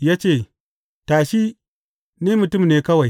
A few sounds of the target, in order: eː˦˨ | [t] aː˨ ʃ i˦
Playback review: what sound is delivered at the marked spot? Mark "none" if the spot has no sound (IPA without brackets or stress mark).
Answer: t